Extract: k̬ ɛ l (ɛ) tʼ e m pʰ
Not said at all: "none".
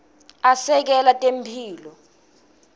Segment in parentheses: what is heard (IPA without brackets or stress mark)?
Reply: a